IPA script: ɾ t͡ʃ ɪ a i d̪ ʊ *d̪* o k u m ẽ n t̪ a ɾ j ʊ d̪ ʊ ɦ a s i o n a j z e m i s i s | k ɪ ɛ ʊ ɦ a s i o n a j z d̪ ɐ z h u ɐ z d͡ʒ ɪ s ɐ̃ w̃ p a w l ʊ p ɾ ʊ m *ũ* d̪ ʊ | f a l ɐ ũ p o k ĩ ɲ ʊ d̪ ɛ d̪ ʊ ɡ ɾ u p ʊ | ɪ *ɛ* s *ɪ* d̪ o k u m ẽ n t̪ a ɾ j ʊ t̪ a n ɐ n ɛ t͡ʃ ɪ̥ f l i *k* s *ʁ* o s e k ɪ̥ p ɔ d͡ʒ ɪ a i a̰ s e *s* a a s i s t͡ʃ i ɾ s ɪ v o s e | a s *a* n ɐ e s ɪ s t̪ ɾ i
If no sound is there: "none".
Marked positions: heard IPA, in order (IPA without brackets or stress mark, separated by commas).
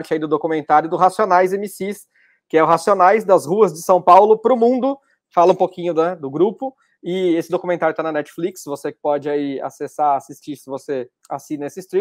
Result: d̪, ũ, e, ɪ, k, v, s, i